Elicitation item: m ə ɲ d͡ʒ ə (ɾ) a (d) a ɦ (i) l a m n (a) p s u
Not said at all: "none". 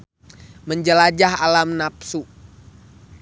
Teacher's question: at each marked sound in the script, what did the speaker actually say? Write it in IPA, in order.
l, d͡ʒ, a, a

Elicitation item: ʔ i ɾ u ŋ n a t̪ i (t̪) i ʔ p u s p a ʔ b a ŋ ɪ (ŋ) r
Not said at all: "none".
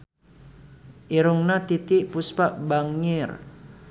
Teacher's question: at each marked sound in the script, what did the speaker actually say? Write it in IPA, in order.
t̪, none

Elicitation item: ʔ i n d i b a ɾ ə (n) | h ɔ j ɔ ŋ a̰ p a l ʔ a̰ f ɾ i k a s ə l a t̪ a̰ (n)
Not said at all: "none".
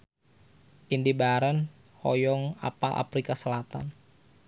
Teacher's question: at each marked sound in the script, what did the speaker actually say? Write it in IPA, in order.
n, n

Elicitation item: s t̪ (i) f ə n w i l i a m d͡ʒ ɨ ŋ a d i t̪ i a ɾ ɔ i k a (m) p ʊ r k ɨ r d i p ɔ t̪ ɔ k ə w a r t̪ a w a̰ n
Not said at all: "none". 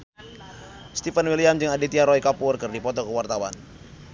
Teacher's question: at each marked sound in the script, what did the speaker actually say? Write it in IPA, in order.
i, none

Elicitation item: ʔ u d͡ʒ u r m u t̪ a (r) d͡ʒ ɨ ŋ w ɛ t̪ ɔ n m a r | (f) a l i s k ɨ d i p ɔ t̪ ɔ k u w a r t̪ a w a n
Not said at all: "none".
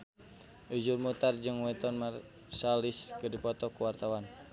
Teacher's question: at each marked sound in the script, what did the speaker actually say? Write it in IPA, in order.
r, s

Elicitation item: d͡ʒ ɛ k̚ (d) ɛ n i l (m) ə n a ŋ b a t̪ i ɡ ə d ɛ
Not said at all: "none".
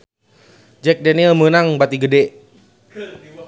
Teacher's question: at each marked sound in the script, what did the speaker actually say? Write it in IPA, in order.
d, m

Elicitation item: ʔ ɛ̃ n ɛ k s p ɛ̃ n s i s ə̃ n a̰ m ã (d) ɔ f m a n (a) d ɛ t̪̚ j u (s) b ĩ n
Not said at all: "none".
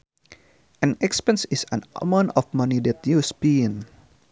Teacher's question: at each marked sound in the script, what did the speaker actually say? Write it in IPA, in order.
n, i, s

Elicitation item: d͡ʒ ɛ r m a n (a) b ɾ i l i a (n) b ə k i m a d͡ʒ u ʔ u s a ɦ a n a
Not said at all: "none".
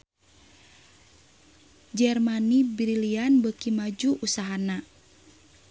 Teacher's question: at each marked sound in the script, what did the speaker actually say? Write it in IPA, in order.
i, n

